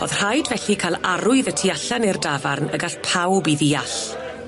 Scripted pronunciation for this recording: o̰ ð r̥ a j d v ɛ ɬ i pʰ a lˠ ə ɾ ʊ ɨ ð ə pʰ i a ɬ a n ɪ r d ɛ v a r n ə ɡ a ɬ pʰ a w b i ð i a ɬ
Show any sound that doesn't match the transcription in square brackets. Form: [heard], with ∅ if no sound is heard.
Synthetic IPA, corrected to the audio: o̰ ð r̥ a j d v ɛ ɬ i [kʰ] a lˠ [a] ɾ ʊ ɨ ð ə [tʰ] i a ɬ a n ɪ r d [a] v a r n ə ɡ a ɬ pʰ a w b i ð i a ɬ